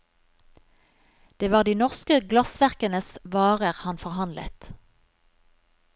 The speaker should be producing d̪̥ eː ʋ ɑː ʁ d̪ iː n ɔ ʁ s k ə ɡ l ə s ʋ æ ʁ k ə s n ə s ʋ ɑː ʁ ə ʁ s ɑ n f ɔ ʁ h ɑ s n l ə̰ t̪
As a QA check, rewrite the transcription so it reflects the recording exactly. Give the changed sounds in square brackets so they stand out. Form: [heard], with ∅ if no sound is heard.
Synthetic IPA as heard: d̪̥ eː ʋ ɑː ʁ d̪ iː n ɔ ʁ s k ə ɡ l [ɑ] s ʋ æ ʁ k ə [∅] n ə s ʋ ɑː ʁ ə ʁ [h] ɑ n f ɔ ʁ h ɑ [∅] n l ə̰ t̪